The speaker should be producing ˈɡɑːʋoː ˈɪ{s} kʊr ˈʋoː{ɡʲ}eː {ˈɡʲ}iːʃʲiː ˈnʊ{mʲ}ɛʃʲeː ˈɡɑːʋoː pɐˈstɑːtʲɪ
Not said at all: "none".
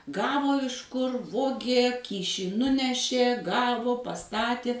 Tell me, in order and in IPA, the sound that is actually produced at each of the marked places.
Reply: ʃ, ɡʲ, kʲ, nʲ

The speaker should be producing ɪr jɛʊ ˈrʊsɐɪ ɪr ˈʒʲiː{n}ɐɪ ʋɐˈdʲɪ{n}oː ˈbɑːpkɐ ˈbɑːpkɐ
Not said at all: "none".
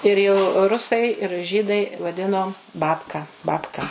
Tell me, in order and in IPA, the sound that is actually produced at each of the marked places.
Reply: d, n

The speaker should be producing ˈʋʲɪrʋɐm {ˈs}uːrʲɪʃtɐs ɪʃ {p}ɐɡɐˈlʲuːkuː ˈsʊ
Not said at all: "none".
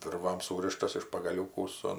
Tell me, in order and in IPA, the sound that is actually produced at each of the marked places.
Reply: s, p

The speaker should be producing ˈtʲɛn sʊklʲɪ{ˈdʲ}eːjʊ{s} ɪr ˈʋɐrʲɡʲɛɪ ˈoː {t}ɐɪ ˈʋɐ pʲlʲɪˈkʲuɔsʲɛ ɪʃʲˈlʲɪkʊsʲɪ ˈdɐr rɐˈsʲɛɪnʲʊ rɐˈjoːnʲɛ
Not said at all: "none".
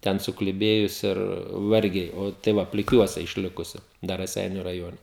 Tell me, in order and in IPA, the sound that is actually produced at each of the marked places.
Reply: bʲ, s, t

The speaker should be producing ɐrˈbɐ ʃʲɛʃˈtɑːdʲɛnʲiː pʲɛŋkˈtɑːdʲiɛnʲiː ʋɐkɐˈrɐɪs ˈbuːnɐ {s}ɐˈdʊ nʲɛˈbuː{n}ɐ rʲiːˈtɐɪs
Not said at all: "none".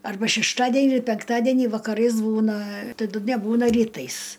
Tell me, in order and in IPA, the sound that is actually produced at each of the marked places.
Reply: t, n

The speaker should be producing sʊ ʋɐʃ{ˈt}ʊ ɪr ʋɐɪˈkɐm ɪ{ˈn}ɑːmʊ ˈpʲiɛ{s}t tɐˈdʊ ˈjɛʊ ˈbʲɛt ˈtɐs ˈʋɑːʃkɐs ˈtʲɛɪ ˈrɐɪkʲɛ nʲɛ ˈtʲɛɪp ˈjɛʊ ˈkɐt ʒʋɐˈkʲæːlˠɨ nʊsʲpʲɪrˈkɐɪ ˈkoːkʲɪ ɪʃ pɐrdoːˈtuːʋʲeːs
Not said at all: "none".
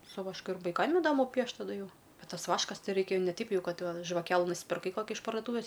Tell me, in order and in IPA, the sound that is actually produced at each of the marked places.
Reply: k, d, ʃ

